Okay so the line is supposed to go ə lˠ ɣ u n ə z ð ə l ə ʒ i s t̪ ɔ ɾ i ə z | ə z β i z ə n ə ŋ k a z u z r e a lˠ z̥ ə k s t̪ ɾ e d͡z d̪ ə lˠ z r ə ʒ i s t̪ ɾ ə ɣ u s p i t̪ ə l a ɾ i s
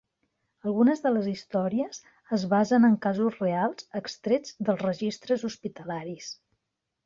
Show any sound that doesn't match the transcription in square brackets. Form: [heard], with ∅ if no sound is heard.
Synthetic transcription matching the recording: ə lˠ ɣ u n ə z ð ə l ə [z] i s t̪ ɔ ɾ i ə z | ə z β [a] z ə n ə ŋ k a z u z r e a lˠ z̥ ə k s t̪ ɾ e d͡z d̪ ə lˠ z r ə ʒ i s t̪ ɾ ə [z] u s p i t̪ ə l a ɾ i s